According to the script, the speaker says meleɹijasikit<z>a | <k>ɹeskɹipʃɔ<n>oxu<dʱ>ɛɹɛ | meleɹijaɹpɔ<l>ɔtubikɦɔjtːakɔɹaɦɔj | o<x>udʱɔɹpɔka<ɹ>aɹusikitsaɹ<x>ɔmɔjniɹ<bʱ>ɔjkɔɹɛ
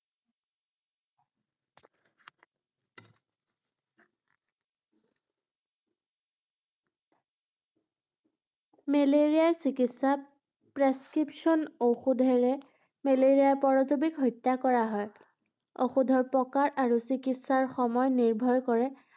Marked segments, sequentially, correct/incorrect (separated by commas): incorrect, incorrect, correct, correct, incorrect, correct, correct, correct, correct